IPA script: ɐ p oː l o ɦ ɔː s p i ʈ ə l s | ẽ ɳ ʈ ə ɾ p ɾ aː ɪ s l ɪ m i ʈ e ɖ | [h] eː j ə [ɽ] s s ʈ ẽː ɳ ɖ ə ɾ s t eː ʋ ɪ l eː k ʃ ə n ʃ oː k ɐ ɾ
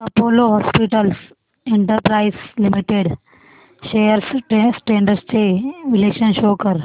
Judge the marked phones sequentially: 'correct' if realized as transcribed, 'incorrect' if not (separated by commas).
incorrect, incorrect